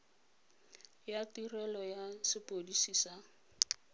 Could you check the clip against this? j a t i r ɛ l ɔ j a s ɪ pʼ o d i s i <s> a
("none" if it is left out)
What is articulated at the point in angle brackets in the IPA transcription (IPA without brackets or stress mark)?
s